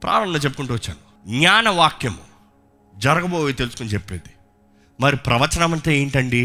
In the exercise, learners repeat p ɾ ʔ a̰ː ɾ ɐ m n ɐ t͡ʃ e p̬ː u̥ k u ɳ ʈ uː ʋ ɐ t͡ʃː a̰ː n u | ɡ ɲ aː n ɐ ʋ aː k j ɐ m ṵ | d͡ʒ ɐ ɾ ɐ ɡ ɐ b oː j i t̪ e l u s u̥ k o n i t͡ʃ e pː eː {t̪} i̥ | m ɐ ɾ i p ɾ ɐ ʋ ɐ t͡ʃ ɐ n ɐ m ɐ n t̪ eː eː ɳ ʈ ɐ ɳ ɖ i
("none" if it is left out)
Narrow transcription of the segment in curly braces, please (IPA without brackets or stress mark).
d̪